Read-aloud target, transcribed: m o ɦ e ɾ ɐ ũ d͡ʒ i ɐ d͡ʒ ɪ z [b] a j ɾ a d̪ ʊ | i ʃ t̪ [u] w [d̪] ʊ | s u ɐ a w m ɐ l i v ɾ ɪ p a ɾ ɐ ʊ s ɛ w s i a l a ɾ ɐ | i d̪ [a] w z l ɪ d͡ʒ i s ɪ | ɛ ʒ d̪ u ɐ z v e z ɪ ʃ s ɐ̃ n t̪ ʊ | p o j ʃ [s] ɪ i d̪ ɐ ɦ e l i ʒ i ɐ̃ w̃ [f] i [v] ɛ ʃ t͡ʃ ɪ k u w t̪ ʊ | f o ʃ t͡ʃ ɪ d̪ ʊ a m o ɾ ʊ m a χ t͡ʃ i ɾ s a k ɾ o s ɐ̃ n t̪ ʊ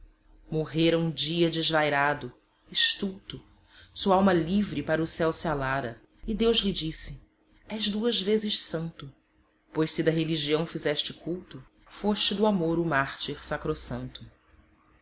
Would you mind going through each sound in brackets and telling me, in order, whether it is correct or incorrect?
incorrect, correct, incorrect, incorrect, correct, correct, incorrect

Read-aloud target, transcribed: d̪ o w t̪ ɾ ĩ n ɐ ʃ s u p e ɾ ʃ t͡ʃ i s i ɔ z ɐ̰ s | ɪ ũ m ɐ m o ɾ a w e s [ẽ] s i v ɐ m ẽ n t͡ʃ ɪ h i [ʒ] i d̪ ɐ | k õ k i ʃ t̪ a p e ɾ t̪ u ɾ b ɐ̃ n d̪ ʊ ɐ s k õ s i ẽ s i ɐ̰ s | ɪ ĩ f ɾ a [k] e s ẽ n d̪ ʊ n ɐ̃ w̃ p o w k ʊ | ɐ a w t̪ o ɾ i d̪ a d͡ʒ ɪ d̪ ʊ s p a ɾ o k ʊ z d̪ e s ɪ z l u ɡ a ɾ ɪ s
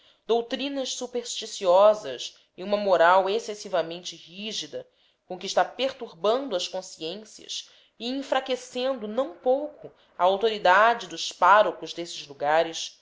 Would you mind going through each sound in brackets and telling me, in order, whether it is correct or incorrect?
incorrect, correct, correct

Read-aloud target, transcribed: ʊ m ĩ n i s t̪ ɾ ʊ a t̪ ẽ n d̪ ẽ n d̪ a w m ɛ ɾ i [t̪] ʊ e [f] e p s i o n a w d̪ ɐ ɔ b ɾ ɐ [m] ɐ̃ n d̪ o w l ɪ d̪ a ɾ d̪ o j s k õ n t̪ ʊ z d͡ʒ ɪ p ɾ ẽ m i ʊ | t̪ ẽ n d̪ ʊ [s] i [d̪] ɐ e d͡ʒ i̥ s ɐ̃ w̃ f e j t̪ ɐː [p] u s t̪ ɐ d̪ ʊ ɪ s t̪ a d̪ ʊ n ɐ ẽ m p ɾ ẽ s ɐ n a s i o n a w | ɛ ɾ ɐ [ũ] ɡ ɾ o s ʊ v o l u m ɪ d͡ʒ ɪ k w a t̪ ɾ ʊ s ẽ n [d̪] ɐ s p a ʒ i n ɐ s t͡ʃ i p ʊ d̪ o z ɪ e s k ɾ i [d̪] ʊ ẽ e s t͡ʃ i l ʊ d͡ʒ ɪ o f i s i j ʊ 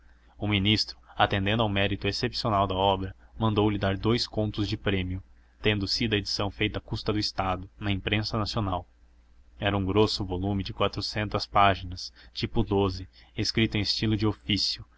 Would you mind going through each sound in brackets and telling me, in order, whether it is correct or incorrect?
correct, incorrect, correct, correct, correct, incorrect, correct, incorrect, incorrect

